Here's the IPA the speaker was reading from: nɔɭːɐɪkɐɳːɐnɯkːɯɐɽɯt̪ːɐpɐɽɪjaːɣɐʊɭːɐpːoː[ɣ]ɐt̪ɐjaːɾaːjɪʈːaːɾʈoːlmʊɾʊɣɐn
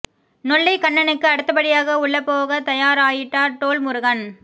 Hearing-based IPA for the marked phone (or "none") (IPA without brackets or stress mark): ɣ